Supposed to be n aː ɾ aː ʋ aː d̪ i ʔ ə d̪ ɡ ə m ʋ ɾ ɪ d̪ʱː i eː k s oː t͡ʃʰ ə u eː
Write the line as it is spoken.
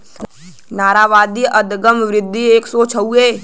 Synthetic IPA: n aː ɾ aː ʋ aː d̪ i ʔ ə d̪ ɡ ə m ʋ ɾ ɪ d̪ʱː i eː k s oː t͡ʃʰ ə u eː